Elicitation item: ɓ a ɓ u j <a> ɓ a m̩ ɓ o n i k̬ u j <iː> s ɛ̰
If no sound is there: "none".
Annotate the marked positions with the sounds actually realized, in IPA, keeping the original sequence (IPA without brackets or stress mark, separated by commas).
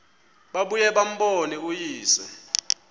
ɛ, iː